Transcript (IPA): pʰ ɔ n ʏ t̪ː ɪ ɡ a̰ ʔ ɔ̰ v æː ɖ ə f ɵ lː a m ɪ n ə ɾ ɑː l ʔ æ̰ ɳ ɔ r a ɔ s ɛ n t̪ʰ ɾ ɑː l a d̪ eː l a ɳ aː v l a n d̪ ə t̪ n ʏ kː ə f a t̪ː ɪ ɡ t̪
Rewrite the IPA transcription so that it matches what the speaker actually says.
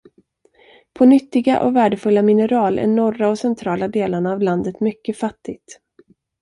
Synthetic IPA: pʰ ɔ n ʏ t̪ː ɪ ɡ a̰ ʔ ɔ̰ v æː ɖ ə f ɵ lː a m ɪ n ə ɾ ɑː l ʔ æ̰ ɳ ɔ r a ɔ s ɛ n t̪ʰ ɾ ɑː l a d̪ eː l a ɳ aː v l a n d̪ ə t̪ m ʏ kː ə f a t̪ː ɪ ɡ t̪